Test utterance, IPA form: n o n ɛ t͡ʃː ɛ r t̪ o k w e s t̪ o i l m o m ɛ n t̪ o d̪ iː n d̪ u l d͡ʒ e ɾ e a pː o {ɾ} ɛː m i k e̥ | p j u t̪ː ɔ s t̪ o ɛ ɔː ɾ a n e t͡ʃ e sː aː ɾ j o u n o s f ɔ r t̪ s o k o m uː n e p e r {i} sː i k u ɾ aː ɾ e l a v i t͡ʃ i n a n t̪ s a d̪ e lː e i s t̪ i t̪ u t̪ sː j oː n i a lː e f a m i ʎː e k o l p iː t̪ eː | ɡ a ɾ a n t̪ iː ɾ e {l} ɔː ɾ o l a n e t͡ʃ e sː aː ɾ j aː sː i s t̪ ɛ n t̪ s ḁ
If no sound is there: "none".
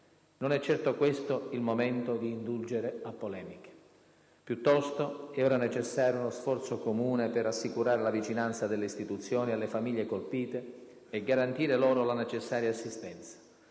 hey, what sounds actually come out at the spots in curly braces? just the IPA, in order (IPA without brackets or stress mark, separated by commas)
l, a, l